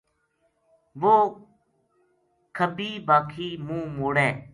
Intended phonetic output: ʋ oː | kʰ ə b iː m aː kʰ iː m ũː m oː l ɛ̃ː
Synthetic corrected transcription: ʋ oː | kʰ ə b iː b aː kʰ iː m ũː m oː ɽ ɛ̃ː